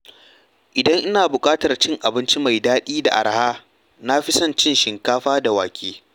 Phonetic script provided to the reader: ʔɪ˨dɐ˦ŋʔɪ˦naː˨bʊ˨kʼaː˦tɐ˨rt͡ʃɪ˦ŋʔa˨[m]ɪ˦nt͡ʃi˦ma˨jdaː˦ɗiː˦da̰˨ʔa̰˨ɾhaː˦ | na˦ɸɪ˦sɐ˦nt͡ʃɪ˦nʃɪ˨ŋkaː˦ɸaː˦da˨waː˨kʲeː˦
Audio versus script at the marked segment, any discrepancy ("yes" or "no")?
yes